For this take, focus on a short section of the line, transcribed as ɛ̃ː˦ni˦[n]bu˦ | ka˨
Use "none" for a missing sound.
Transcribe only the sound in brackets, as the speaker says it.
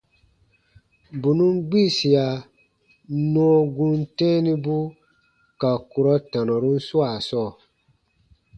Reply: none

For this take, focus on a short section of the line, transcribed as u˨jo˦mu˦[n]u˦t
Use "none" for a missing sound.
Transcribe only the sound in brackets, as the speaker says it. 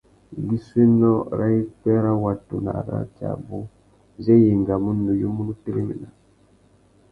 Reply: n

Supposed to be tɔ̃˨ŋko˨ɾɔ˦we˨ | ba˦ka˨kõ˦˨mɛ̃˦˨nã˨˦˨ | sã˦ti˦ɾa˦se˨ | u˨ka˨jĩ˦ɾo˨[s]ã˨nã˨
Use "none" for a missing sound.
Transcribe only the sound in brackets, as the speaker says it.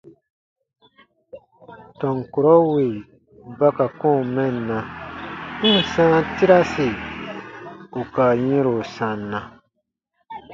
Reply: s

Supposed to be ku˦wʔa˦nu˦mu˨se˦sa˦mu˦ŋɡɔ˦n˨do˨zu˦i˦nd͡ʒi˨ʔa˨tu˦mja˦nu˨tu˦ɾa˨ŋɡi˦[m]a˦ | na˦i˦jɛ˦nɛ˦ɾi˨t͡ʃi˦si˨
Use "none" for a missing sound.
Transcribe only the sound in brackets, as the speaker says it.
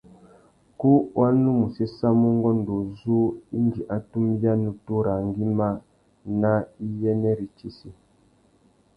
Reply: m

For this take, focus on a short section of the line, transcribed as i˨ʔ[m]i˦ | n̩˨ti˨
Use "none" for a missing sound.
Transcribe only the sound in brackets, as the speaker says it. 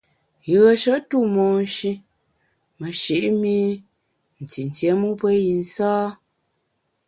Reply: m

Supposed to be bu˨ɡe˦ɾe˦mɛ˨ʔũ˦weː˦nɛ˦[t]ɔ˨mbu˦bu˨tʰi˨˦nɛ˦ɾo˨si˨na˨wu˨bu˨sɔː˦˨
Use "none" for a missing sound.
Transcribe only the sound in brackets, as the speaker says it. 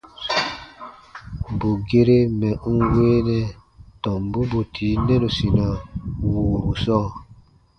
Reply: t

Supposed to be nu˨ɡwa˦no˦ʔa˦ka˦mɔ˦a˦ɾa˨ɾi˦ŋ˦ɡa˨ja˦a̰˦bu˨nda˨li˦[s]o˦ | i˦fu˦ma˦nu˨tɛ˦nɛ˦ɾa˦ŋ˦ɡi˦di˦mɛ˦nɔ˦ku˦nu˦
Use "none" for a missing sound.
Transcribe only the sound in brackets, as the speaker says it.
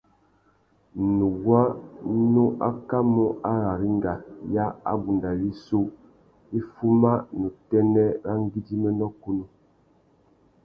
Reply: s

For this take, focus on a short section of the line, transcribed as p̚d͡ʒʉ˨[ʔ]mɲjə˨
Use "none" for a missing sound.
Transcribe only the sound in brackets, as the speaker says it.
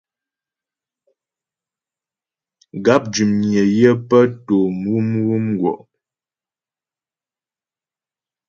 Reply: none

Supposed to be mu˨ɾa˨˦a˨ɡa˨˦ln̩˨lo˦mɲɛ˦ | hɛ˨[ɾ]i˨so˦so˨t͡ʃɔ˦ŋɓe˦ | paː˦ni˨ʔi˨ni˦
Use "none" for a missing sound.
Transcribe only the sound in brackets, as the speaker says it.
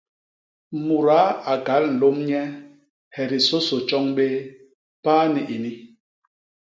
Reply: ɾ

